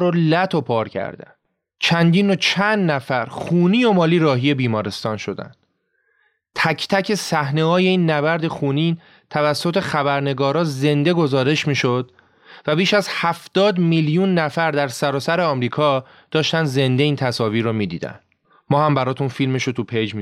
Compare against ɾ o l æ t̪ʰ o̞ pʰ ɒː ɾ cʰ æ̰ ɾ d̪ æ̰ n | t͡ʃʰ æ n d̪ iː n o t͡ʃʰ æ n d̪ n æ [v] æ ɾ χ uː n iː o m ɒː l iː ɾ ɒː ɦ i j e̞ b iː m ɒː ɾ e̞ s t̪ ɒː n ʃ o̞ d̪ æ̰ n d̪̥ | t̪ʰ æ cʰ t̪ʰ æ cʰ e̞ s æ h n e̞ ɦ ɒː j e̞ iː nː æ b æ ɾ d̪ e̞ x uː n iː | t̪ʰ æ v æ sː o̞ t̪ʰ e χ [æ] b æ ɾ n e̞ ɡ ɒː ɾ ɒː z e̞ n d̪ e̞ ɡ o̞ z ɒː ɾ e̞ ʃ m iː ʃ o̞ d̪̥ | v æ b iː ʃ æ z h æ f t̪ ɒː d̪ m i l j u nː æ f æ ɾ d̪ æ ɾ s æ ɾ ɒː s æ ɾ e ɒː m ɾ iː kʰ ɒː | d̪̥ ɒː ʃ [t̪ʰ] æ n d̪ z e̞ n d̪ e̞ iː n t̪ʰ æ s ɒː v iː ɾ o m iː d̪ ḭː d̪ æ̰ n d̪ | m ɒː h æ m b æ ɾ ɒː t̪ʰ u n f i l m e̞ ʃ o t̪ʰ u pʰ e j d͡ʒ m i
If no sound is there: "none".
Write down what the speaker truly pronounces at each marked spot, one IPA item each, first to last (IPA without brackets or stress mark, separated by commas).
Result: f, æ, t̪